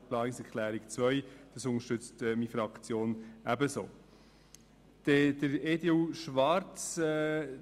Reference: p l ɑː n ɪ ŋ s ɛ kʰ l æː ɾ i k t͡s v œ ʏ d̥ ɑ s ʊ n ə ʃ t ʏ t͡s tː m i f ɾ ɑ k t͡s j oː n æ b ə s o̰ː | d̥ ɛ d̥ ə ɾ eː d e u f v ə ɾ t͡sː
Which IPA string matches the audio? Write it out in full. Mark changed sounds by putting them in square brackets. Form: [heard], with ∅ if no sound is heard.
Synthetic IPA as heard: p l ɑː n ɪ ŋ s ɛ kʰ l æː ɾ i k t͡s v œ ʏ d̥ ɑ s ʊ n ə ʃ t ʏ t͡s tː m i f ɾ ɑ k t͡s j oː n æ b ə s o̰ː | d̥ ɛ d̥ ə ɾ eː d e u [ʃ] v [ɑ] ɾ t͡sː